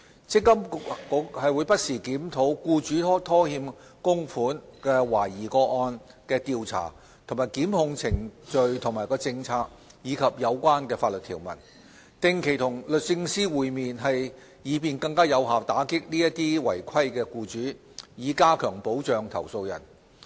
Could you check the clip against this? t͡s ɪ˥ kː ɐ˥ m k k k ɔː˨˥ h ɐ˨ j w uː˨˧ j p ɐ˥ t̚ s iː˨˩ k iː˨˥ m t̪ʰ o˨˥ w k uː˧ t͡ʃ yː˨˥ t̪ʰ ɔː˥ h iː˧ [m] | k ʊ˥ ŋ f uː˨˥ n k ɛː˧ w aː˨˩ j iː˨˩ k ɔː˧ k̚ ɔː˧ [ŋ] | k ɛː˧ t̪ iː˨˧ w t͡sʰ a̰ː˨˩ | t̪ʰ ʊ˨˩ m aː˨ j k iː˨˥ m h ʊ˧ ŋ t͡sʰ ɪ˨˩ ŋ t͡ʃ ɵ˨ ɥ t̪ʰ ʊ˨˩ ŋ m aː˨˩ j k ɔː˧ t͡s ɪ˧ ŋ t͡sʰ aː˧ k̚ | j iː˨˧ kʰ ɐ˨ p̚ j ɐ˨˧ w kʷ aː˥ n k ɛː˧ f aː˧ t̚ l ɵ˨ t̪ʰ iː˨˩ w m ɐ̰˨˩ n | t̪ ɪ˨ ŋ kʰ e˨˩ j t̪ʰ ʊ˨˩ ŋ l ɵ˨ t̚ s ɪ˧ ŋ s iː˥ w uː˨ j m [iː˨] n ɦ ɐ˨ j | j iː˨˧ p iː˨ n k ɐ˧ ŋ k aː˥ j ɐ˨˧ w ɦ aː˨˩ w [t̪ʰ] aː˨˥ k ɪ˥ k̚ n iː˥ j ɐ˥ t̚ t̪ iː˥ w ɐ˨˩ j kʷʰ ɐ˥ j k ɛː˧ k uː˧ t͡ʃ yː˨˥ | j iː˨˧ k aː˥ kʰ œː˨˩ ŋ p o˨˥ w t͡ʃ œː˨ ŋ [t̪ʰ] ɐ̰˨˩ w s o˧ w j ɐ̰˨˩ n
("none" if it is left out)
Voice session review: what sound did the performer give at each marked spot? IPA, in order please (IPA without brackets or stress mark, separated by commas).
m, n, iː˨, t̪, t̪ʰ